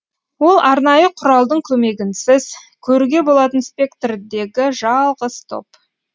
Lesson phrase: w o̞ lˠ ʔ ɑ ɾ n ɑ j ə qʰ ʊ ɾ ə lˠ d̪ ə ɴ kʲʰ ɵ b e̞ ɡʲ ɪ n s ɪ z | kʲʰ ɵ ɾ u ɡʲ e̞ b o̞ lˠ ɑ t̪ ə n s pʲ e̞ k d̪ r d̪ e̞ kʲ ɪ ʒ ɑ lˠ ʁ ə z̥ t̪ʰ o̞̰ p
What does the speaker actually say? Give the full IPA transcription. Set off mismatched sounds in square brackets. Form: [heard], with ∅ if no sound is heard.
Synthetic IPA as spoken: w o̞ lˠ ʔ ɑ ɾ n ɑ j ə qʰ ʊ ɾ [ɑ] lˠ d̪ ə ɴ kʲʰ ɵ [m] e̞ ɡʲ ɪ n s ɪ z | kʲʰ ɵ ɾ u ɡʲ e̞ b o̞ lˠ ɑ t̪ ə n s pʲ e̞ k [t̪] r d̪ e̞ [ɡʲ] ɪ ʒ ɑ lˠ ʁ ə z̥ t̪ʰ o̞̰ p